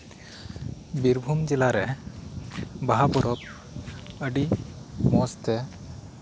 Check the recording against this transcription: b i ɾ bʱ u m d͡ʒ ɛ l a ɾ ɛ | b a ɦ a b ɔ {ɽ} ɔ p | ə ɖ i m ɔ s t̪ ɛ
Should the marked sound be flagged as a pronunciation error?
yes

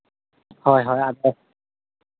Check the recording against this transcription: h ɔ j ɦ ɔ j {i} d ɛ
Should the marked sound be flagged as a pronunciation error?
yes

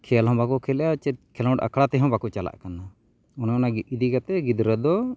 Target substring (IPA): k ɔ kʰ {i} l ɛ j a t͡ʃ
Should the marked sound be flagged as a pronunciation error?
yes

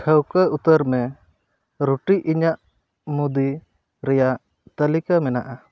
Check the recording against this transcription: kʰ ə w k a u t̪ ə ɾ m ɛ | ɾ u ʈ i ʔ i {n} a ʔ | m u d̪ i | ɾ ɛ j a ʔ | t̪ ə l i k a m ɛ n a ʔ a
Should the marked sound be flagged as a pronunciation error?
yes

